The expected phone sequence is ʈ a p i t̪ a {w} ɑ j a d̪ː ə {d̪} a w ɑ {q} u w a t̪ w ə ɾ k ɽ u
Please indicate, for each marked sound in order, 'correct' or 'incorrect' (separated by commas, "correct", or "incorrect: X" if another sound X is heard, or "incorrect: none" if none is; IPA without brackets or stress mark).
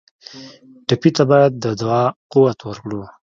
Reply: incorrect: b, correct, correct